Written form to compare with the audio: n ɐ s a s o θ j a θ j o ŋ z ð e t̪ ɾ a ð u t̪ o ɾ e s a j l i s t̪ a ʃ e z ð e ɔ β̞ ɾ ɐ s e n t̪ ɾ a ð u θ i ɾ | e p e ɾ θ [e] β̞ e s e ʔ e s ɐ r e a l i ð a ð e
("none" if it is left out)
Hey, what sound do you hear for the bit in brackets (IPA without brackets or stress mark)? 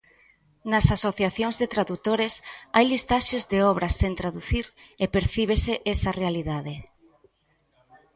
i